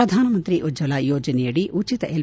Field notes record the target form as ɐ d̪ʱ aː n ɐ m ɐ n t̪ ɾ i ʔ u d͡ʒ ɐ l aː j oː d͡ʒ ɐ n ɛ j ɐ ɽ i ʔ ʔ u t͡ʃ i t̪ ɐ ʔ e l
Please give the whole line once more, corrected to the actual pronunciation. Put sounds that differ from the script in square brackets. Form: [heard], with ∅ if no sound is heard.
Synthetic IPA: ɐ d̪ʱ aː n ɐ m ɐ n t̪ ɾ i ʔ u d͡ʒ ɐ l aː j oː d͡ʒ ɐ n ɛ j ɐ ɽ i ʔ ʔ u t͡ʃ i t̪ ɐ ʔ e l